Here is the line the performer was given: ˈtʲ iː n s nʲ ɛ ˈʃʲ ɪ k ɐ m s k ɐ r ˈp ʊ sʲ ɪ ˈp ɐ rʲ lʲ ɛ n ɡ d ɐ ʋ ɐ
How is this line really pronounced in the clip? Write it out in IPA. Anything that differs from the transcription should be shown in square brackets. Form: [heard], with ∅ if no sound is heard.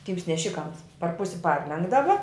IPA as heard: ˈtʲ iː [m] s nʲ ɛ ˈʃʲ ɪ k ɐ m s [p] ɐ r ˈp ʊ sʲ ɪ ˈp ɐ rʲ lʲ ɛ [ŋ] ɡ d ɐ ʋ ɐ